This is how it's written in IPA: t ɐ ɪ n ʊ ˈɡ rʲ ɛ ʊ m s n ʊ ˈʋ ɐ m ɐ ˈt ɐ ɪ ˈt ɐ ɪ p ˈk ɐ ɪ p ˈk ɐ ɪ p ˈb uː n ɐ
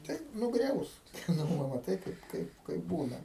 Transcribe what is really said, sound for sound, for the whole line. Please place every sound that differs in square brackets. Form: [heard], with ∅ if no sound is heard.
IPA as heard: t ɐ ɪ n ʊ ˈɡ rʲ ɛ ʊ [∅] s n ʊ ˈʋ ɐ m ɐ ˈt ɐ ɪ [ˈk] ɐ ɪ p ˈk ɐ ɪ p ˈk ɐ ɪ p ˈb uː n ɐ